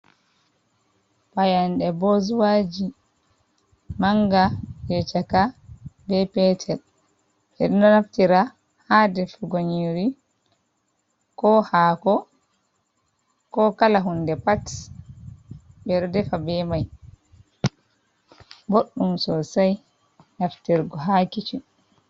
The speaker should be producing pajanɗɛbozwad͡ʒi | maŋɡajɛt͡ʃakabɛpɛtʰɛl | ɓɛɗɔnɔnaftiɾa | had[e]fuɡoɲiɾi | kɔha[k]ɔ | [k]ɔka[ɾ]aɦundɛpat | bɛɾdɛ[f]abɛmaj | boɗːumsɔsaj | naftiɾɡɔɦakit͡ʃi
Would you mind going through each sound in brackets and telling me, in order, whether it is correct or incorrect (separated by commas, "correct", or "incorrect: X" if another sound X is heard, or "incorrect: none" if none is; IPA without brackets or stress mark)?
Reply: incorrect: ɛ, correct, correct, incorrect: l, correct